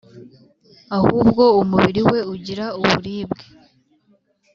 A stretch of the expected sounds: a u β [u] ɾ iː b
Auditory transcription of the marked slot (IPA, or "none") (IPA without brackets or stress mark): u